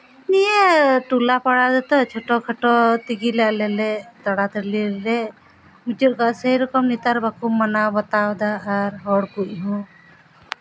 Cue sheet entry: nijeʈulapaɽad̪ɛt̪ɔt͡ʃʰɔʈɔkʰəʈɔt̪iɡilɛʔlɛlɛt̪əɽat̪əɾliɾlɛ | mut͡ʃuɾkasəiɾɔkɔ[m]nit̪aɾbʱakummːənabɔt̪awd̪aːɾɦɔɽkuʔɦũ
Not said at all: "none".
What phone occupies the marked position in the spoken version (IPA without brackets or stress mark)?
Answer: m